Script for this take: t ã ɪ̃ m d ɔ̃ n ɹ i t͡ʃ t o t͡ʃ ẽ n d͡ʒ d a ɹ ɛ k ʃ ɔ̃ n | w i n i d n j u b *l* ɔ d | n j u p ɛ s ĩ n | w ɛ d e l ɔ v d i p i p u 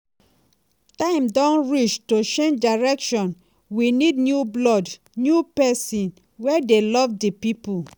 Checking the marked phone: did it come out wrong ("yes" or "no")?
no